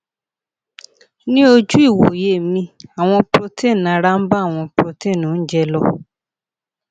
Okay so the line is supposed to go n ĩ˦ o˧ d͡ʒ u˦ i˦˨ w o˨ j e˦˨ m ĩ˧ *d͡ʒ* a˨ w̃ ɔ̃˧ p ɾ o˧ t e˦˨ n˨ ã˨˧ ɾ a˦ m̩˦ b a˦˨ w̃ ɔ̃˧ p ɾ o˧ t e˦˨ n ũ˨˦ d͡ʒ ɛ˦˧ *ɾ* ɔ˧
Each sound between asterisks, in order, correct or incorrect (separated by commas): incorrect, incorrect